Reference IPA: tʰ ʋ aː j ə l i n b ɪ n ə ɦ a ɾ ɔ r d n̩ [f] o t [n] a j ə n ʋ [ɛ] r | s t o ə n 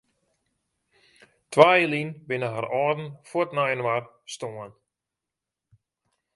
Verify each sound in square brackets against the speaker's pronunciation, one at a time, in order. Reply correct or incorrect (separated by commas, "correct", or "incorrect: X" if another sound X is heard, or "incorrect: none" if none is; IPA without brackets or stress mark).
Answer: correct, correct, incorrect: a